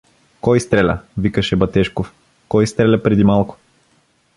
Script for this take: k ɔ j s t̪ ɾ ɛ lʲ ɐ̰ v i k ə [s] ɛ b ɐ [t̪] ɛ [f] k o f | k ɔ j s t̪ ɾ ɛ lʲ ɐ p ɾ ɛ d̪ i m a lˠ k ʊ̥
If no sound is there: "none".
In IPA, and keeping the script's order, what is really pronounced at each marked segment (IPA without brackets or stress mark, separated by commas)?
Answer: ʃ, t̪, ʃ